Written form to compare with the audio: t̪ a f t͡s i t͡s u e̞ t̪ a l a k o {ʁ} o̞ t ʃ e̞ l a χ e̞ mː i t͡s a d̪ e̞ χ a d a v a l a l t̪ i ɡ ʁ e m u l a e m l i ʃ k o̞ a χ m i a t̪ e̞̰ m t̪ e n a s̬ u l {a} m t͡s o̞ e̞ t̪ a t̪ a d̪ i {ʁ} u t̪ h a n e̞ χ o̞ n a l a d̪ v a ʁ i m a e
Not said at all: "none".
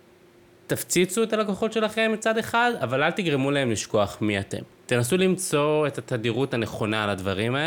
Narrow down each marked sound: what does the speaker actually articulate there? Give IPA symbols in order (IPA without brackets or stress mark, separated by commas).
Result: χ, i, ʁ